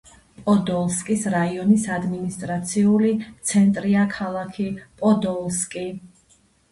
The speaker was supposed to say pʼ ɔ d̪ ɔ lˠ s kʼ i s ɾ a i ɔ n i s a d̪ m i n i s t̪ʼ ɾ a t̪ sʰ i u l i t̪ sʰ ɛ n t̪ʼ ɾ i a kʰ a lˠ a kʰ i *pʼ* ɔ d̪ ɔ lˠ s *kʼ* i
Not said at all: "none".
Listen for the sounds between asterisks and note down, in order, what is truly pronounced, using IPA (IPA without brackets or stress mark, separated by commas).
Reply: pʼ, kʼ